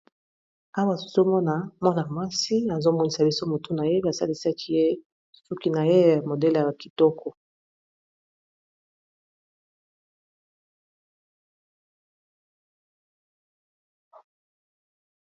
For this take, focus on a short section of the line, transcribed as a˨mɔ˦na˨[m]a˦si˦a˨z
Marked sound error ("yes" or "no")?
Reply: no